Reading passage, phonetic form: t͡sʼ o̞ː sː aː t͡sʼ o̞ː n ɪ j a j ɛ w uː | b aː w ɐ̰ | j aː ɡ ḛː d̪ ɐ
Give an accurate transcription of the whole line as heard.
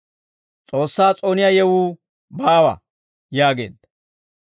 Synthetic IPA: t͡sʼ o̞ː sː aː t͡sʼ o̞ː n ɪ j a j ɛ w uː | b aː w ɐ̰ | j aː ɡ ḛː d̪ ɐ